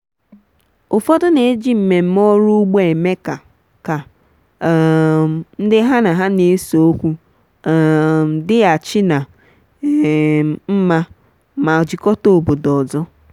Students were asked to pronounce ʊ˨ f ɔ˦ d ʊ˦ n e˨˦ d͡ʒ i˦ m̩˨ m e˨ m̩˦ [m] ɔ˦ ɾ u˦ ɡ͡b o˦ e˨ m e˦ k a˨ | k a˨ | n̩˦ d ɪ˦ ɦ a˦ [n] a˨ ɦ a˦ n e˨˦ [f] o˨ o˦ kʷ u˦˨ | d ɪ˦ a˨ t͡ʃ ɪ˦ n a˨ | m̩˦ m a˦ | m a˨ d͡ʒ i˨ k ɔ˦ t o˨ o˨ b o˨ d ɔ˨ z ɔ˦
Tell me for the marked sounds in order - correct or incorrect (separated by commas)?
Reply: correct, correct, incorrect